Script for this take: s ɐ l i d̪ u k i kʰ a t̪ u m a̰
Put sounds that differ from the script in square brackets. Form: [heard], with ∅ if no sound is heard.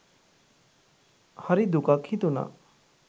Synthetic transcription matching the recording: [h] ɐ [ɾ] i d̪ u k [a] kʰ [i] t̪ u [n] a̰